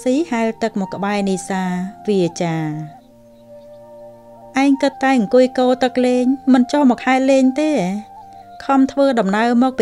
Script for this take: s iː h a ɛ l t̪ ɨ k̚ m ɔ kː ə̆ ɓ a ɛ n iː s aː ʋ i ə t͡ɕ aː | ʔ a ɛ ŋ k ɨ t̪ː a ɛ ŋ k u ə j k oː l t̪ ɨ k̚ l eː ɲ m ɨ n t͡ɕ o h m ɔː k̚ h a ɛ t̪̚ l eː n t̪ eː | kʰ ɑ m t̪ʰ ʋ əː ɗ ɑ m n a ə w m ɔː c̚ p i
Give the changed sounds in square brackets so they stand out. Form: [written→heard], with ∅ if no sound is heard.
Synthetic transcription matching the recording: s iː h a ɛ l t̪ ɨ k̚ m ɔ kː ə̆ ɓ a ɛ n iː s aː ʋ i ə t͡ɕ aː | ʔ a ɛ ŋ k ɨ t̪ː a ɛ ŋ k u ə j k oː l t̪ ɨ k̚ l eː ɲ m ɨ n t͡ɕ o h m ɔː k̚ h a ɛ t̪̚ l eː [n→ɲ] t̪ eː | kʰ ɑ m t̪ʰ ʋ əː ɗ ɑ m n a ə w m ɔː [c̚→k̚] p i